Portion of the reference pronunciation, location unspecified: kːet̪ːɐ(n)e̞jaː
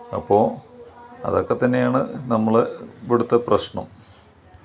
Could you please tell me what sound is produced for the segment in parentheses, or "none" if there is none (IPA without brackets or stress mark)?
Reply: nː